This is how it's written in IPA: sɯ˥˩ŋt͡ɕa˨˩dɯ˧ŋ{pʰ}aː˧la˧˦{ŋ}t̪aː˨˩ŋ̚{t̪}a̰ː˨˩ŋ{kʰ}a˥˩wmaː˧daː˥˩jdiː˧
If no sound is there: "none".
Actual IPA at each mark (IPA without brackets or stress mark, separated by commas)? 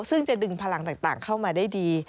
pʰ, ŋ, t̪, kʰ